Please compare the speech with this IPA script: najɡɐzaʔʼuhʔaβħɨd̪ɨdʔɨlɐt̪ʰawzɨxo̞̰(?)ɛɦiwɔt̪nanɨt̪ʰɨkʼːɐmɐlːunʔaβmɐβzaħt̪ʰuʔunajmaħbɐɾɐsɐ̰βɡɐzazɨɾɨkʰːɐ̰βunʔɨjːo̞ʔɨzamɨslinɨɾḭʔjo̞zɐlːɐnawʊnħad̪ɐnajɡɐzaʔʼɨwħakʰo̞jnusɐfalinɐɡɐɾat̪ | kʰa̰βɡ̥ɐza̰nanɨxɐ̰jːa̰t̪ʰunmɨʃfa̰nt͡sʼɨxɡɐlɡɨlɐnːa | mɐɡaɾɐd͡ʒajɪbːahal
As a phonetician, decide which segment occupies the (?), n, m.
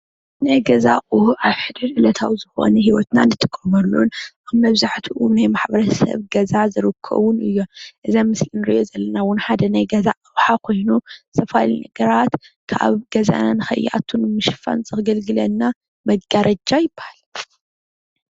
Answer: n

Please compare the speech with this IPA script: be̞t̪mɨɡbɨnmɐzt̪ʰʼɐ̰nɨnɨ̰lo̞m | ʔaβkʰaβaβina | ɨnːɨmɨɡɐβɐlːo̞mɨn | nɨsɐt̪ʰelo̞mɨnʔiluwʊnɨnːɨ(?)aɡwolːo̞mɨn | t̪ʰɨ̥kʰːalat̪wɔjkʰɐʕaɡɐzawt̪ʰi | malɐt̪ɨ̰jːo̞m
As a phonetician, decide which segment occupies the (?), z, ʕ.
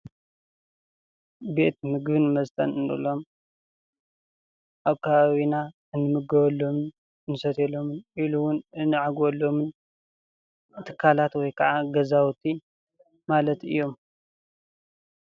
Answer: ʕ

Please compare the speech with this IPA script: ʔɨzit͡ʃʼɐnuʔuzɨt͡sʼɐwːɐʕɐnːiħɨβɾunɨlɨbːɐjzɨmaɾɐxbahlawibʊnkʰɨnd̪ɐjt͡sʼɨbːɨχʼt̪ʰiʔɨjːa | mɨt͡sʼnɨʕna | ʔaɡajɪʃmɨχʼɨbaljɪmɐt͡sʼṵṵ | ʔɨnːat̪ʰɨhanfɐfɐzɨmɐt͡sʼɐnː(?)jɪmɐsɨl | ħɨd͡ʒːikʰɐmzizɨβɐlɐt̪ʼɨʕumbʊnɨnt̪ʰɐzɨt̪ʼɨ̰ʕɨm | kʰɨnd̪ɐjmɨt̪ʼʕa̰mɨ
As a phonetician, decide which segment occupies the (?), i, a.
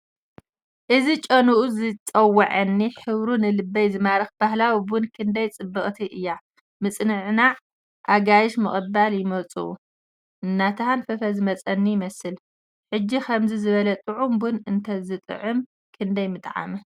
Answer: i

